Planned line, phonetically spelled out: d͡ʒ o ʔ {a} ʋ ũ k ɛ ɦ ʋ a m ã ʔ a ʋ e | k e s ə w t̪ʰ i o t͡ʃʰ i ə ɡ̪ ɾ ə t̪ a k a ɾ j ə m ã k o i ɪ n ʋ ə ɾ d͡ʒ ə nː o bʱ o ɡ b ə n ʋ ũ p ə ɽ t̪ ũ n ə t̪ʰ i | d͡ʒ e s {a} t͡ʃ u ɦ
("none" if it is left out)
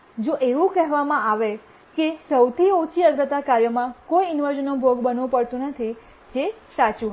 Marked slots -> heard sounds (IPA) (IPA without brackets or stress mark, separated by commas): e, a